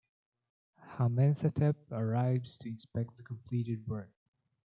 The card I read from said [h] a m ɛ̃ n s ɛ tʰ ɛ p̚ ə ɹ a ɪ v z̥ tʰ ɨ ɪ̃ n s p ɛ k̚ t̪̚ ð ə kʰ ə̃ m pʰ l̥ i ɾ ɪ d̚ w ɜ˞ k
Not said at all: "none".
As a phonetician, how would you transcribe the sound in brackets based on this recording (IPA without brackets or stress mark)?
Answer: h